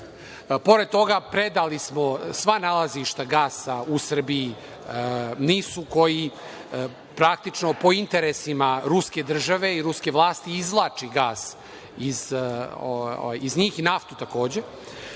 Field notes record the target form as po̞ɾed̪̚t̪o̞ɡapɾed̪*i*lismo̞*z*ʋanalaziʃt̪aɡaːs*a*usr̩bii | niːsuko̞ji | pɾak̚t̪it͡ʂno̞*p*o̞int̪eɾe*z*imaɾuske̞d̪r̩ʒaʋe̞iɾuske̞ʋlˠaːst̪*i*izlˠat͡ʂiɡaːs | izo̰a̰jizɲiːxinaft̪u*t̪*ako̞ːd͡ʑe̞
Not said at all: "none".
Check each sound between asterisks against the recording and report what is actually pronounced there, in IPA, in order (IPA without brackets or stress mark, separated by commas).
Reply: a, s, a, p, s, i, t̪